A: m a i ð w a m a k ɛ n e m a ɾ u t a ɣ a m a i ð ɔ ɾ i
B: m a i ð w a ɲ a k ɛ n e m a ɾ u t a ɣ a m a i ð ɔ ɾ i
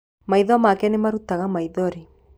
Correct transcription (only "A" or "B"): A